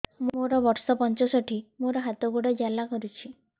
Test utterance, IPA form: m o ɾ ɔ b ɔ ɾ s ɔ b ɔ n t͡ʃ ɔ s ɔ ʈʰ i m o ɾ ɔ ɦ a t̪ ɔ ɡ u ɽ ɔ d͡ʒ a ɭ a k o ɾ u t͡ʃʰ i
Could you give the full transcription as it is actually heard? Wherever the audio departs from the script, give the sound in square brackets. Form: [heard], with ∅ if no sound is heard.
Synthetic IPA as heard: m o ɾ ɔ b ɔ ɾ s ɔ [p] ɔ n t͡ʃ ɔ s ɔ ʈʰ i m o ɾ ɔ ɦ a t̪ ɔ ɡ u ɽ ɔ d͡ʒ a [l] a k [ɔ] ɾ u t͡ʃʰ i